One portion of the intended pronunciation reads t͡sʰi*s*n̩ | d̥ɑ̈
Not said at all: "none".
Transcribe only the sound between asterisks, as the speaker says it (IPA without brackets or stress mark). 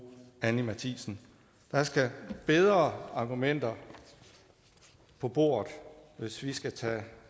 s